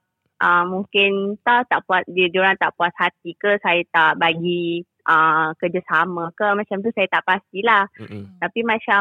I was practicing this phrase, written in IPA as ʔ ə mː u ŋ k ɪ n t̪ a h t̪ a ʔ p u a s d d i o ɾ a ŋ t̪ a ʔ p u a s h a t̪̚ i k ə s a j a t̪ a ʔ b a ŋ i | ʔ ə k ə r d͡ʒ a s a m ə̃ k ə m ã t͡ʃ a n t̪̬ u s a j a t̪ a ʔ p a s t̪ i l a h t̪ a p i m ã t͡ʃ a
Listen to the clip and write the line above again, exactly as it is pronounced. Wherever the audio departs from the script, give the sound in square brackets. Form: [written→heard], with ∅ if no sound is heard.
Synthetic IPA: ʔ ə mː u ŋ k ɪ n t̪ a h t̪ a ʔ p u a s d d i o ɾ a ŋ t̪ a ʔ p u a s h a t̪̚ i k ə s a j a t̪ a ʔ b a [ŋ→ɡ] i | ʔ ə k ə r d͡ʒ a s a m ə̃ k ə m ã t͡ʃ a [n→m] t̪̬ u s a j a t̪ a ʔ p a s t̪ i l a h t̪ a p i m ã t͡ʃ a